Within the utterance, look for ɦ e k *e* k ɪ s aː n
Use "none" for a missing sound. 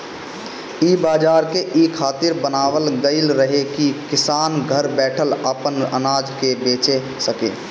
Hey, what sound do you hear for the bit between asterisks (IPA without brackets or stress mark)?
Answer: i